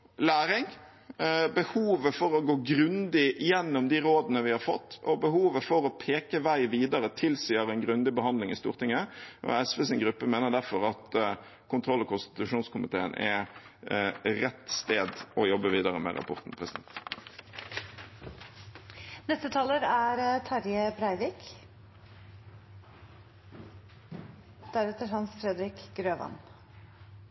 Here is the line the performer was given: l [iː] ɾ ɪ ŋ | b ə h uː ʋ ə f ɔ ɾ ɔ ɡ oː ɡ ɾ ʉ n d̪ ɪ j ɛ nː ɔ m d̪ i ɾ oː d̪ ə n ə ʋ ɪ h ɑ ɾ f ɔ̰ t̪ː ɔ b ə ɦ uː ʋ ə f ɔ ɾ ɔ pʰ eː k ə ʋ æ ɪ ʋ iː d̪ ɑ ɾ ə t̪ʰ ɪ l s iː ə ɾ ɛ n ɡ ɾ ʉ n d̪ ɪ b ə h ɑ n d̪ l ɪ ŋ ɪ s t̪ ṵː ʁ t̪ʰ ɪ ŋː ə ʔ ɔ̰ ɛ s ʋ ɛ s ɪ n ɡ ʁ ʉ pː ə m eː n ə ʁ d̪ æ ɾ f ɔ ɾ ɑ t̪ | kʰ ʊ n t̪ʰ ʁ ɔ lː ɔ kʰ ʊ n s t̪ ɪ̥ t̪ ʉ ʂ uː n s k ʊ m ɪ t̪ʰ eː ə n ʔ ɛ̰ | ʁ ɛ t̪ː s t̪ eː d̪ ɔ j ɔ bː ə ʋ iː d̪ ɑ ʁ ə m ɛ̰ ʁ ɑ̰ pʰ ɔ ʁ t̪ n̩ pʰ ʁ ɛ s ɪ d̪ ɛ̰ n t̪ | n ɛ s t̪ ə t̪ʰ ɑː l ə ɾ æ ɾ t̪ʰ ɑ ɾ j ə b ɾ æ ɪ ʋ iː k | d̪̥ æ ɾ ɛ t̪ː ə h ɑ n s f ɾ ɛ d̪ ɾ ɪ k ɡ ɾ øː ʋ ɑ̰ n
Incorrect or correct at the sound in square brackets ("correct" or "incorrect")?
incorrect